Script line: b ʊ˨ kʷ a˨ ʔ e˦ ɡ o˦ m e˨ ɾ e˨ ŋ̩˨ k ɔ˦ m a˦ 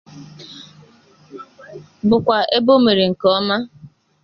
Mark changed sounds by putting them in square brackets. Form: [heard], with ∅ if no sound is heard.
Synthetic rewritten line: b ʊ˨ kʷ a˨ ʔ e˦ [b] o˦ m e˨ ɾ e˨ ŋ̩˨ k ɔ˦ m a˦